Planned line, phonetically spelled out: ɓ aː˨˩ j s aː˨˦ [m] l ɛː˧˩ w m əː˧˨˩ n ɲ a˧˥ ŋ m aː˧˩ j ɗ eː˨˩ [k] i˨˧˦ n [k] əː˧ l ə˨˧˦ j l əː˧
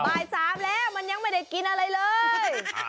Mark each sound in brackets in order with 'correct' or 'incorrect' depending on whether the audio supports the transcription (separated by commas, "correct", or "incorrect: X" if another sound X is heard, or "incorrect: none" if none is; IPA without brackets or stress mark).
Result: correct, correct, incorrect: ʔ